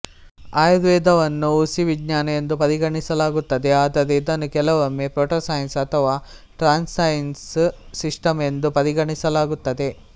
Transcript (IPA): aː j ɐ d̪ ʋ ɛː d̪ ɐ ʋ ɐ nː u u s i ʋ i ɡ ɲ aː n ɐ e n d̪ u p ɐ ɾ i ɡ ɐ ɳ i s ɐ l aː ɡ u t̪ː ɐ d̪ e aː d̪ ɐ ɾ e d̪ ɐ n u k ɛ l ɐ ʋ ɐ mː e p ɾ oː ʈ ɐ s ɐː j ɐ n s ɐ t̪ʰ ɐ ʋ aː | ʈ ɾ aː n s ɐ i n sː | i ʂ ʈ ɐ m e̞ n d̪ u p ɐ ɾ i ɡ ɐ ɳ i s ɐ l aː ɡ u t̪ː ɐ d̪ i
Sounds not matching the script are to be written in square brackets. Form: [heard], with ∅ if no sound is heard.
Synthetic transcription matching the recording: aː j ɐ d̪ ʋ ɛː d̪ ɐ ʋ ɐ nː u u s i ʋ i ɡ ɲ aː n ɐ e n d̪ u p ɐ ɾ i ɡ ɐ ɳ i s ɐ l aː ɡ u t̪ː ɐ d̪ e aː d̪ ɐ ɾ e d̪ ɐ n u k ɛ l ɐ ʋ ɐ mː e p ɾ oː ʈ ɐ s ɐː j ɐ n s ɐ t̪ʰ ɐ ʋ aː | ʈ ɾ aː n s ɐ [j] n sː | i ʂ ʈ ɐ m e̞ n d̪ u p ɐ ɾ i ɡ ɐ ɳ i s ɐ l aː ɡ u t̪ː ɐ d̪ [e]